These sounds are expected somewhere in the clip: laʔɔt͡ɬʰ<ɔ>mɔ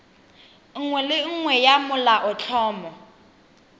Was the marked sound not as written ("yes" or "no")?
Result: yes